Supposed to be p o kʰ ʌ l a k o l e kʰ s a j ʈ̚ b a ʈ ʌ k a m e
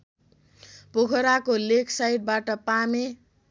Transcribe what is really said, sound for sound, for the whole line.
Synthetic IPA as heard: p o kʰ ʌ ɾ a k o l e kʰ s a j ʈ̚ b a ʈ ʌ p a m e